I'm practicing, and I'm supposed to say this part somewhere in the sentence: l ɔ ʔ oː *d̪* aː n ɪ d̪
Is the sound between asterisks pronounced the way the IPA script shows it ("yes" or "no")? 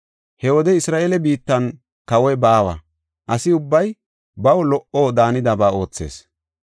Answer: yes